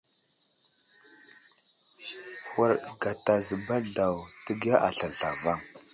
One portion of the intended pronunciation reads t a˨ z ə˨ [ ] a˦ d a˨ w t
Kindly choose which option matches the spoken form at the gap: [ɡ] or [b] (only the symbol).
b